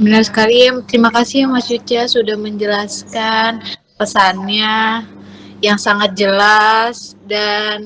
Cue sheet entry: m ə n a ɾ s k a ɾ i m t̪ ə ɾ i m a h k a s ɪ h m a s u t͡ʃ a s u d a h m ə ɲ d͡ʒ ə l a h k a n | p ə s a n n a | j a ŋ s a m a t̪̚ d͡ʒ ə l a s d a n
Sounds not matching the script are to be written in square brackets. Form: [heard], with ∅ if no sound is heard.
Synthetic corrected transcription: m ə n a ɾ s k a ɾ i m t̪ ə ɾ i m a [∅] k a s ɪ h m a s u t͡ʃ a s u d a h m ə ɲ d͡ʒ ə l a [s] k a n | p ə s a n [ɲ] a | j a ŋ s a [ŋ] a t̪̚ d͡ʒ ə l a s d a n